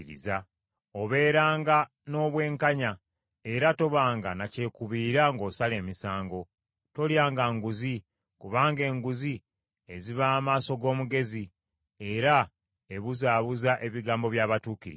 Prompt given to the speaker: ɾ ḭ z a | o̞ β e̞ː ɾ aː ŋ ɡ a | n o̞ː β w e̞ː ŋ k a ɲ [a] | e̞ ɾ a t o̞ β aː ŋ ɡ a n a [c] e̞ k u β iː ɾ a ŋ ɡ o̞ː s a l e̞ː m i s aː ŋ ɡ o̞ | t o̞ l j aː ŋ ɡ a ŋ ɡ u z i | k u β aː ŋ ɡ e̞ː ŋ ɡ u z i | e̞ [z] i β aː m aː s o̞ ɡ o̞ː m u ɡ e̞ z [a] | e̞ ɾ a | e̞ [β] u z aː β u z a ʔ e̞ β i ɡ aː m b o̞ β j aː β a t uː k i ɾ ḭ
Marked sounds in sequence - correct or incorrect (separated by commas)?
correct, correct, correct, incorrect, correct